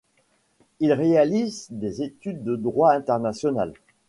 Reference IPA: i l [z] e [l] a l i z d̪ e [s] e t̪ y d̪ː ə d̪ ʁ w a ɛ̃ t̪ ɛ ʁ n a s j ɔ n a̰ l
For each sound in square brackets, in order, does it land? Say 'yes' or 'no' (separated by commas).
no, no, no